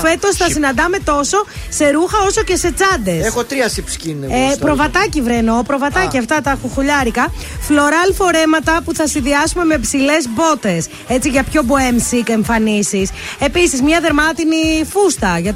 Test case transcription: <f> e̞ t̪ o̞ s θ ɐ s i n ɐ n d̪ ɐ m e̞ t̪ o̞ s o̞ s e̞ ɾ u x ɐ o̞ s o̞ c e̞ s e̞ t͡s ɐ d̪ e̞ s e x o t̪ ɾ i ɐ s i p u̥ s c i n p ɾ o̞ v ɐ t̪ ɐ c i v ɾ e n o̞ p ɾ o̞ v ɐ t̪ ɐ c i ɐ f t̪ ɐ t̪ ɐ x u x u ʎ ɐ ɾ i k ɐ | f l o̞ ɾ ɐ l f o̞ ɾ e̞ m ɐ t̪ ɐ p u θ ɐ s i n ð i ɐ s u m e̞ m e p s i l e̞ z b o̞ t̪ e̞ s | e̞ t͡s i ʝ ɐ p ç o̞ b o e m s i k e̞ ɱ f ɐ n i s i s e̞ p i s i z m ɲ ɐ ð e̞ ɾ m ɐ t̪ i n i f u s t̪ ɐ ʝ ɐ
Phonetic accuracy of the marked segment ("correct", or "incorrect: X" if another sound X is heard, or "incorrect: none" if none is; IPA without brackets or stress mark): correct